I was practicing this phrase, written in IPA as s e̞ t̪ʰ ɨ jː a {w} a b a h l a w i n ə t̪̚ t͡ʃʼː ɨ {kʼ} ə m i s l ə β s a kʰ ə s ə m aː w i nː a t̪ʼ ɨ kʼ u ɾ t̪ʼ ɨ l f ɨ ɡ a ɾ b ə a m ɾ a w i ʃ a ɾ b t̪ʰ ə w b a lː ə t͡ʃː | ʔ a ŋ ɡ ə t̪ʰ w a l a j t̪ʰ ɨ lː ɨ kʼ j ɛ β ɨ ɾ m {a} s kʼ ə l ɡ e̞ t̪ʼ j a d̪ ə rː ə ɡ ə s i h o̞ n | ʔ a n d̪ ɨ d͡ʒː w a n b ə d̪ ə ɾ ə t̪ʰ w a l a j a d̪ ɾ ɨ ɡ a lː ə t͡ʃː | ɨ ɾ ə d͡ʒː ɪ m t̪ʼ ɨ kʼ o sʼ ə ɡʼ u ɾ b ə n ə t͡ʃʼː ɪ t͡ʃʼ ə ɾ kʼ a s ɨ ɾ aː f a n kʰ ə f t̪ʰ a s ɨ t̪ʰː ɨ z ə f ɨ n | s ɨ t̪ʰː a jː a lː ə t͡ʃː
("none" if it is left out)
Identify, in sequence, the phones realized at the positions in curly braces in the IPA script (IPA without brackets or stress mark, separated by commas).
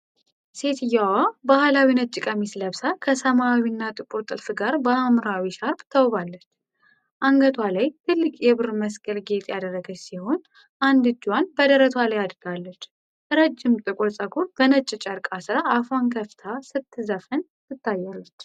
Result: w, kʼ, ə